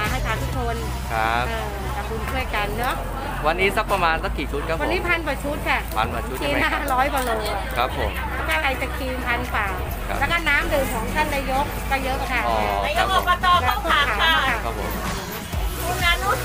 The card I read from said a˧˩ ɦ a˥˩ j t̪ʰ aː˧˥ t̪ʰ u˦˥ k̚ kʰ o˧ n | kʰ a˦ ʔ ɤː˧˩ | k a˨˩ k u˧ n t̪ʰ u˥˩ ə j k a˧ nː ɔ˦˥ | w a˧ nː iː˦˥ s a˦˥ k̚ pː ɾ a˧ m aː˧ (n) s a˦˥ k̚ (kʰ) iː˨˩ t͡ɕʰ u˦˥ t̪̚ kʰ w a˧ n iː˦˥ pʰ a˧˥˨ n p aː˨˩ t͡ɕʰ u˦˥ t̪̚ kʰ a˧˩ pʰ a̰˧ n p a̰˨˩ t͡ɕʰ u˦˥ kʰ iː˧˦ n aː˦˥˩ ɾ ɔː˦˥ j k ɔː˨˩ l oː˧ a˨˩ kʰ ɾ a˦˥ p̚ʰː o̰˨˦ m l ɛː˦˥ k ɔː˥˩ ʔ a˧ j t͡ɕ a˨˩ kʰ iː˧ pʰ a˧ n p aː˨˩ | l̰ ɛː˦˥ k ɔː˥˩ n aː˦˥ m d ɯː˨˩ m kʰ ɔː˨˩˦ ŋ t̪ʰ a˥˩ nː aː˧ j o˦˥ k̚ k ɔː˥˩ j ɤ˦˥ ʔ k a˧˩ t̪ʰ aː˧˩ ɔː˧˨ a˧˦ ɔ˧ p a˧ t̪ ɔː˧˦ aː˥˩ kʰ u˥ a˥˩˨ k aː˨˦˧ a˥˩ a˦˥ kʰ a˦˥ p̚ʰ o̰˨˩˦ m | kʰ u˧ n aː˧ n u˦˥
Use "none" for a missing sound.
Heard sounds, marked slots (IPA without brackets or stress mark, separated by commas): n, k